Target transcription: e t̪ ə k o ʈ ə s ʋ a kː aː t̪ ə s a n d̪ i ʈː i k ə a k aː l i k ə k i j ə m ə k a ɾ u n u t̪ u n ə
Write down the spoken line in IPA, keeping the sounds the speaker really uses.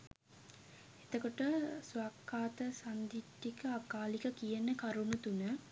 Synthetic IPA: e t̪ ə k o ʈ ə s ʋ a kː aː t̪ ə s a n d̪ i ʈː i k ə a k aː l i k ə k i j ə n ə k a ɾ u n u t̪ u n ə